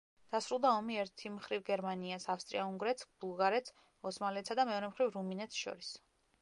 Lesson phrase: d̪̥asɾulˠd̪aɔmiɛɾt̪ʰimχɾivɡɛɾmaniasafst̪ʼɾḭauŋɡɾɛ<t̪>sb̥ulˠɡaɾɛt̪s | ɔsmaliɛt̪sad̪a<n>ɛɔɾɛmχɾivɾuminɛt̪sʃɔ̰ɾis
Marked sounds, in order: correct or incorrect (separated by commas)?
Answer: correct, incorrect